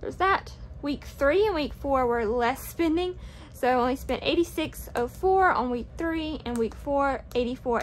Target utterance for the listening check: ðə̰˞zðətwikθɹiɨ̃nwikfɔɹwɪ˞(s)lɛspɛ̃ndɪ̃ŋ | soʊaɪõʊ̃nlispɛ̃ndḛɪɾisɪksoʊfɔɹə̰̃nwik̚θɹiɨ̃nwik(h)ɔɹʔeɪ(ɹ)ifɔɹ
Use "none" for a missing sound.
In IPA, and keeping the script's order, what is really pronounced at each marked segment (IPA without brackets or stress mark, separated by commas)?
none, f, ɾ